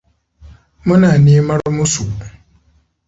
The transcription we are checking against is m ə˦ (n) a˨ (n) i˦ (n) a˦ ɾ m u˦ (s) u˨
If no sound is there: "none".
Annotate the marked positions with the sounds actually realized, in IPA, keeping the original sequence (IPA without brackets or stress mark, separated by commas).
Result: n, n, m, s